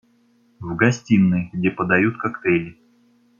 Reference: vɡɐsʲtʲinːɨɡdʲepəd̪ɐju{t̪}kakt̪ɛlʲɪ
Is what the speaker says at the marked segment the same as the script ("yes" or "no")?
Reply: yes